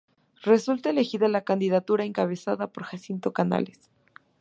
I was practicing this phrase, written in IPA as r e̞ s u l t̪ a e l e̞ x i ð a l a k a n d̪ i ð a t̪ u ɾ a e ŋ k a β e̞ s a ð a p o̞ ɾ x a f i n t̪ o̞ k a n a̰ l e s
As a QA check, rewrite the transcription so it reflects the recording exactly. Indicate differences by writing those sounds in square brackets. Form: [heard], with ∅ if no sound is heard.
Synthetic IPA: r e̞ s u l t̪ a e l e̞ x i ð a l a k a n d̪ i ð a t̪ u ɾ a e ŋ k a β e̞ s a ð a p o̞ ɾ x a [s] i n t̪ o̞ k a n a̰ l e s